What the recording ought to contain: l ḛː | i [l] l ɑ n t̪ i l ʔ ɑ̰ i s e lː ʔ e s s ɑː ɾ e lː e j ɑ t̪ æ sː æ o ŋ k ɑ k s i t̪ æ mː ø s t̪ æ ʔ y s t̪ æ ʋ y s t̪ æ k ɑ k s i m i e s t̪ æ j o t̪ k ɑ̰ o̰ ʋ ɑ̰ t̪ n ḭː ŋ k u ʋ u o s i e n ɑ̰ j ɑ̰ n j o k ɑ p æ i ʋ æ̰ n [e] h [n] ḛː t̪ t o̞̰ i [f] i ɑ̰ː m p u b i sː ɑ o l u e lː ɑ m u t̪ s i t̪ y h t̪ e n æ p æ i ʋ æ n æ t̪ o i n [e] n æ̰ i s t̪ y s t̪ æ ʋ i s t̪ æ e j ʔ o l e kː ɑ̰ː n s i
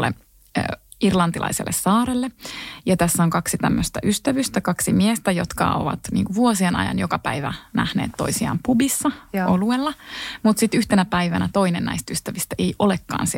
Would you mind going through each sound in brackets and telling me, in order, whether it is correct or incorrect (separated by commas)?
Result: incorrect, incorrect, correct, incorrect, correct